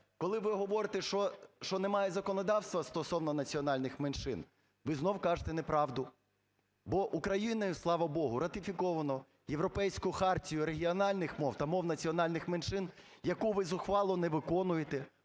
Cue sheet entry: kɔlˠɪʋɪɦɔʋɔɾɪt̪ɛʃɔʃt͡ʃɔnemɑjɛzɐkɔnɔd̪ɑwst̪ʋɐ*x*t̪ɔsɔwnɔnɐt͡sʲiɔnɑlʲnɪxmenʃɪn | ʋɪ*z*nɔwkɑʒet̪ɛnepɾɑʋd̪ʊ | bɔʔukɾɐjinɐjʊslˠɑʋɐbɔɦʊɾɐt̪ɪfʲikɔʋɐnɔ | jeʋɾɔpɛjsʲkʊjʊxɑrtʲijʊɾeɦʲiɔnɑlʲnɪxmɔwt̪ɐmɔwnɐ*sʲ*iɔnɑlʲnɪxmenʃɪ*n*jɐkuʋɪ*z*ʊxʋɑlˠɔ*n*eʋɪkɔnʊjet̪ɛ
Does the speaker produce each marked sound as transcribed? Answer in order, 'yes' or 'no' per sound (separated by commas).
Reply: no, yes, no, yes, yes, yes